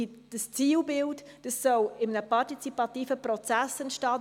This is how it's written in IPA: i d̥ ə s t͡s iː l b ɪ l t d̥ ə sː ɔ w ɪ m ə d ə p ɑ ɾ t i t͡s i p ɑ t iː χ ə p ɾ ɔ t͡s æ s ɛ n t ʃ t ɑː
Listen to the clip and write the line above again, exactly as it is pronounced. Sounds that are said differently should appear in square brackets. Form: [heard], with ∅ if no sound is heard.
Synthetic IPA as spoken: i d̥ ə s t͡s iː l b ɪ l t d̥ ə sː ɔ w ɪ m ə [n] ə p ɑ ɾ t i t͡s i p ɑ t iː [f] ə p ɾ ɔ t͡s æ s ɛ n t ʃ t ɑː